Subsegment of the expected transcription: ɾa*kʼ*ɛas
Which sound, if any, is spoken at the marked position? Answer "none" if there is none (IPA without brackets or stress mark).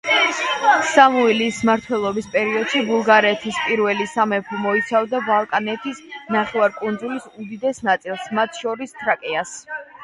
kʼ